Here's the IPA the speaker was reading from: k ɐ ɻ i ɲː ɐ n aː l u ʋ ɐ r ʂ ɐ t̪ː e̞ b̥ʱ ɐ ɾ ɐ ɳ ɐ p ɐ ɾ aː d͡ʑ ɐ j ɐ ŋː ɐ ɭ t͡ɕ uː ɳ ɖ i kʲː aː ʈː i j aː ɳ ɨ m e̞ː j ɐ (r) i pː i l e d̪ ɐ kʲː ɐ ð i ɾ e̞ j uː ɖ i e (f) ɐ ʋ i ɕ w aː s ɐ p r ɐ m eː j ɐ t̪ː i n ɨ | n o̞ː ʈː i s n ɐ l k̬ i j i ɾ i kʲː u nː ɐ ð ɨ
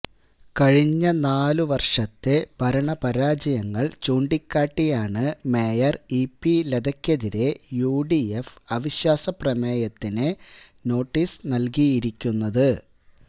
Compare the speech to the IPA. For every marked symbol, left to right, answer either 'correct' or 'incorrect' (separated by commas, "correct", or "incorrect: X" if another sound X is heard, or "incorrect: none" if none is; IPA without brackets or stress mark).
correct, correct